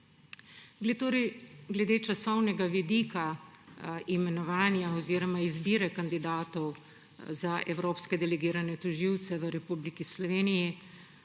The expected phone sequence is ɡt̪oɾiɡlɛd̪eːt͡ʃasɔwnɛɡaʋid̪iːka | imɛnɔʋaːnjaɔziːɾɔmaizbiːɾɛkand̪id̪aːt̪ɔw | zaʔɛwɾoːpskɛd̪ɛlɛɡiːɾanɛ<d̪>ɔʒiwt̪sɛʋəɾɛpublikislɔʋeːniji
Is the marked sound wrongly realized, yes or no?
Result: yes